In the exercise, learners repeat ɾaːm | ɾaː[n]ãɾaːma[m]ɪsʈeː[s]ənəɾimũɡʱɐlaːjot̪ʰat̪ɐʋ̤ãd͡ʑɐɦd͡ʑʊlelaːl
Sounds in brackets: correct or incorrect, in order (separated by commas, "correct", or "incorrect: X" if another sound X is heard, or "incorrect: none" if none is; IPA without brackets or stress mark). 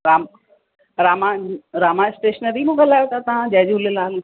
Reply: incorrect: m, incorrect: none, incorrect: ʃ